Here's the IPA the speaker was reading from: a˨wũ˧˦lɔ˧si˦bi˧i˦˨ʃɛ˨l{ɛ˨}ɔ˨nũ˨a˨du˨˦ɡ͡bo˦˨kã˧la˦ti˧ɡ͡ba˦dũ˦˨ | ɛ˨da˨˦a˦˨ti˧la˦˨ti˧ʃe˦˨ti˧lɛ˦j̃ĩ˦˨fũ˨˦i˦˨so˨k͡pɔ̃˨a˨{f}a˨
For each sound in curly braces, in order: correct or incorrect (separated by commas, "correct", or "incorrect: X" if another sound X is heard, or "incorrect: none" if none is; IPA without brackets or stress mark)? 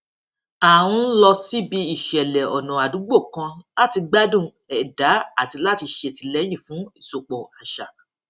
correct, incorrect: ʃ